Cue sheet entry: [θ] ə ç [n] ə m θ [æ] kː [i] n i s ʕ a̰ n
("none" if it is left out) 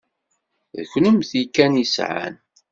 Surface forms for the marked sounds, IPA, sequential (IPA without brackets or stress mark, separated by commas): ð, n, i, æ